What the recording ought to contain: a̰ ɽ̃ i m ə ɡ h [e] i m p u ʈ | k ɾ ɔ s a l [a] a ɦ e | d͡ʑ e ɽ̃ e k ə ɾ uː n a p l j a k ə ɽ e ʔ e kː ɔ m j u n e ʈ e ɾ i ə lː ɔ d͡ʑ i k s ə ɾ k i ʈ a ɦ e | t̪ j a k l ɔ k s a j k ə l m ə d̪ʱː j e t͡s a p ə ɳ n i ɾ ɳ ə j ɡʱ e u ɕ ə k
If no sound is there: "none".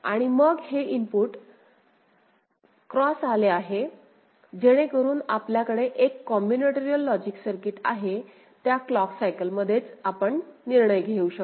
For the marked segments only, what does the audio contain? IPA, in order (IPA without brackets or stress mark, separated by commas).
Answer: e, e